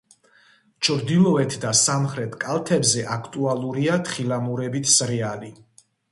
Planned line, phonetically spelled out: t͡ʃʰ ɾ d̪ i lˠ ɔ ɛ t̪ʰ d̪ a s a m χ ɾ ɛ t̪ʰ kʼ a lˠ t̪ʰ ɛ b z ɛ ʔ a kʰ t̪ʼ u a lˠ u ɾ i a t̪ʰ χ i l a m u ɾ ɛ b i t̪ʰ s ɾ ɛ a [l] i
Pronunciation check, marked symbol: correct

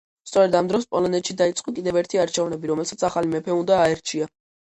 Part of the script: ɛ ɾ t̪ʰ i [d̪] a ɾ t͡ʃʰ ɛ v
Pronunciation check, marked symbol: incorrect: none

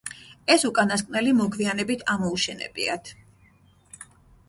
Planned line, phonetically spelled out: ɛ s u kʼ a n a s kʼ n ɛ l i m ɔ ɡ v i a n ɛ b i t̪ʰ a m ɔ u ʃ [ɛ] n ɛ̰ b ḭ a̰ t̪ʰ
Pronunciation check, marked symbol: correct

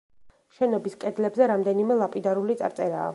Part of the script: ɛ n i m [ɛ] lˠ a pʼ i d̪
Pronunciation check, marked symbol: correct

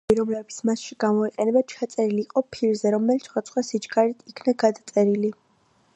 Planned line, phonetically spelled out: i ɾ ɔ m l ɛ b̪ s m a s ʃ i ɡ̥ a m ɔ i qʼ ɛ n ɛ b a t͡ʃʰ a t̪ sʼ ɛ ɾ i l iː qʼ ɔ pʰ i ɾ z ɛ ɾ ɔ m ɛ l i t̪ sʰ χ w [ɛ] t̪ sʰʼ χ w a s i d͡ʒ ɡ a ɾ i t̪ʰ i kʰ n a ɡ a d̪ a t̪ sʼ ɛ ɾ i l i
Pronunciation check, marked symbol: incorrect: a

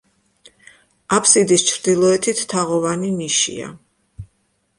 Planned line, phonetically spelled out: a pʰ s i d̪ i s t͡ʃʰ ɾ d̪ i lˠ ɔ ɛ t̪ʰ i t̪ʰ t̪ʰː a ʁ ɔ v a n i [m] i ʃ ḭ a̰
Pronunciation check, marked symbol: incorrect: n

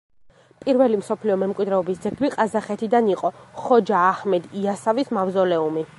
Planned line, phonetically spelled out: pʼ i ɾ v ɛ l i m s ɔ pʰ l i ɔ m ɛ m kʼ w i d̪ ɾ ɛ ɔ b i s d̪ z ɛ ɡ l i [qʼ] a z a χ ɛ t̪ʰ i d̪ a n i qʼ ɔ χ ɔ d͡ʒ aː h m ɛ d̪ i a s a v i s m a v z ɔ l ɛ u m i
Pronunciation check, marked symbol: correct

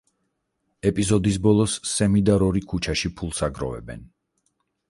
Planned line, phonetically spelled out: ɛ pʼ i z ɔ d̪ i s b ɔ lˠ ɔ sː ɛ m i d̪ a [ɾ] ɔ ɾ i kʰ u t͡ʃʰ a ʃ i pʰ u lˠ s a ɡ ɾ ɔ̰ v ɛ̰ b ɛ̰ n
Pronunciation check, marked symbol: correct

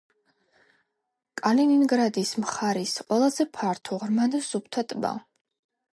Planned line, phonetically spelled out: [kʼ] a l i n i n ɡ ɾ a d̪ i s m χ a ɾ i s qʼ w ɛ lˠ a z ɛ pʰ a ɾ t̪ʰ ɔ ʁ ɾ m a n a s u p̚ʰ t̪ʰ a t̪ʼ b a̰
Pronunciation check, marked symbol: correct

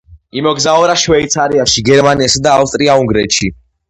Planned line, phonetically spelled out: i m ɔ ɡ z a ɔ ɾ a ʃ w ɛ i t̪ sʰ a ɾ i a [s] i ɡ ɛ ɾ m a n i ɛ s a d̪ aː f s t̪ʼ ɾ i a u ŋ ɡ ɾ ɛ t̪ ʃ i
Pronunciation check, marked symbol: incorrect: ʃ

